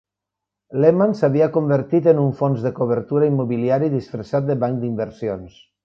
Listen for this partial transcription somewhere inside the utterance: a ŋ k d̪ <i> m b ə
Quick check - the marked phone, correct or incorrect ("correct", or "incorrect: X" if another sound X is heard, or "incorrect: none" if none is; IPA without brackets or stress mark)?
correct